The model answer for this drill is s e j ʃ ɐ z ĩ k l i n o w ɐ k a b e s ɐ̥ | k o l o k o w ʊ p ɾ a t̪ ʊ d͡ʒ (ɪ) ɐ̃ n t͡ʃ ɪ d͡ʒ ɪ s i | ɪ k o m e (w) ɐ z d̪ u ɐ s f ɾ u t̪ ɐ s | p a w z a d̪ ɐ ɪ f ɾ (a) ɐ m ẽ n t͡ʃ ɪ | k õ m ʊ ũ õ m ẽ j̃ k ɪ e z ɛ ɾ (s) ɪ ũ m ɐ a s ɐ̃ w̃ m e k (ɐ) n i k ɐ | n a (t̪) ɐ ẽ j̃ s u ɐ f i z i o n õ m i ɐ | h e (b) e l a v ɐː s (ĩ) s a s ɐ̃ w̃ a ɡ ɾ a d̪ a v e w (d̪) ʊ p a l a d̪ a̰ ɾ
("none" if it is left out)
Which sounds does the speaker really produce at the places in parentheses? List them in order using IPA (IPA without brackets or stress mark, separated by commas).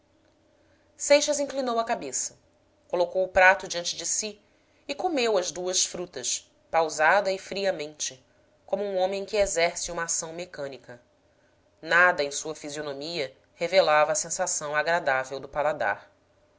i, w, i, s, ɐ̃, d̪, v, ẽ, d̪